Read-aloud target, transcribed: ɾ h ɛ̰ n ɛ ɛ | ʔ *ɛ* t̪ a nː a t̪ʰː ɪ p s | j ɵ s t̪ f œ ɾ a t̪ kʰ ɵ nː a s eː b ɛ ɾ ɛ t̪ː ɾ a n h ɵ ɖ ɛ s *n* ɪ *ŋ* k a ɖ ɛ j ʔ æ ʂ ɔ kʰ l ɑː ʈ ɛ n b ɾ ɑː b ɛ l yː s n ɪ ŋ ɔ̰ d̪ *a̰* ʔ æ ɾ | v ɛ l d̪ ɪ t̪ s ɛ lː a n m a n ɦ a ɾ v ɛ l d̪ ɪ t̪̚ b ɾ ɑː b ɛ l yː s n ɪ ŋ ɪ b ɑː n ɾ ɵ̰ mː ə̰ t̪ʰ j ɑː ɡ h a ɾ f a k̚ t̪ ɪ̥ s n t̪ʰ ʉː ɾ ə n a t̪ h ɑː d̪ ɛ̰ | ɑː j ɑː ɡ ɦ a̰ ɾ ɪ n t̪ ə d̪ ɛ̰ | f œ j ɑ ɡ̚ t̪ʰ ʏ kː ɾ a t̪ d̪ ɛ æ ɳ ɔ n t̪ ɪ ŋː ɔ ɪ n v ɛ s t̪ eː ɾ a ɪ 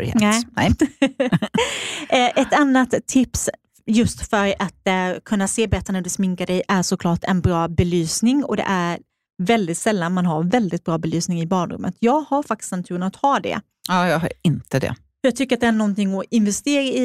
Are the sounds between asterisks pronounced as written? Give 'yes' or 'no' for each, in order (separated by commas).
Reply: yes, no, yes, no